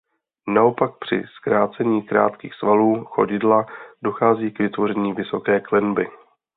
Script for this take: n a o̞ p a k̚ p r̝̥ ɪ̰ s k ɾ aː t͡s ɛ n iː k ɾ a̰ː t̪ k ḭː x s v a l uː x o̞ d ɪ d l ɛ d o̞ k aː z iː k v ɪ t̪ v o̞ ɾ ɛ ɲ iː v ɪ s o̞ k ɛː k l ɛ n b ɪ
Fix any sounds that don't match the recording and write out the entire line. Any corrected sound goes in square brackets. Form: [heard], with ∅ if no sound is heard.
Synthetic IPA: n a o̞ p a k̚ p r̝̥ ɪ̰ s k ɾ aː t͡s ɛ [ɲ] iː k ɾ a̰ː t̪ k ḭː x s v a l uː x o̞ [ɟ] ɪ d l [a] d o̞ [x] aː z iː k v ɪ t̪ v o̞ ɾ ɛ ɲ iː v ɪ s o̞ k ɛː k l ɛ n b ɪ